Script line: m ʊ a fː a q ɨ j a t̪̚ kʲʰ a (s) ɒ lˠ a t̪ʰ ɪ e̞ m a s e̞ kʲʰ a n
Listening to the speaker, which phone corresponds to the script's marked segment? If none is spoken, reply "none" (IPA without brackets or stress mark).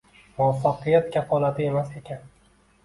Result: f